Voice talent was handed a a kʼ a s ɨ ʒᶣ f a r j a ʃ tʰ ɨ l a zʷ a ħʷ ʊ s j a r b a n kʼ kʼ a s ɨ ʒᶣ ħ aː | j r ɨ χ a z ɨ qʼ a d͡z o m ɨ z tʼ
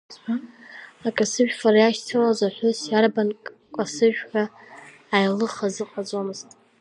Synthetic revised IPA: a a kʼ a s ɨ ʒᶣ f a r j a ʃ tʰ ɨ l a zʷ a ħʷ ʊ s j a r b a n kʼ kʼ a s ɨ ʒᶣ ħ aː | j l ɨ χ a z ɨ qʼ a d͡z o m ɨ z tʼ